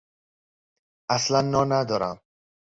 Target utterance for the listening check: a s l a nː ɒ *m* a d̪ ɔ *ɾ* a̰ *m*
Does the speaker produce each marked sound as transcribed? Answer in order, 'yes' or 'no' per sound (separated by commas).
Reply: no, yes, yes